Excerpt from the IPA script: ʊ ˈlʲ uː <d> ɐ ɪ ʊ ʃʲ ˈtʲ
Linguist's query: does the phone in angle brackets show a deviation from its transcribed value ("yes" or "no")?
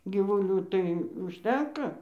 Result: yes